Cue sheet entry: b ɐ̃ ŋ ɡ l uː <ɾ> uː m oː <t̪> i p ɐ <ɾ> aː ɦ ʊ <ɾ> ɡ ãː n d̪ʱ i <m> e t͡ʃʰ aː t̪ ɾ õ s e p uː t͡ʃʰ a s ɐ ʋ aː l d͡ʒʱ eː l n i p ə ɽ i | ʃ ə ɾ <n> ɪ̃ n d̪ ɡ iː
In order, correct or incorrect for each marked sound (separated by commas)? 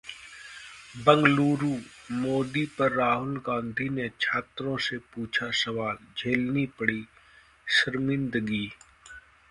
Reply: correct, incorrect, incorrect, incorrect, incorrect, incorrect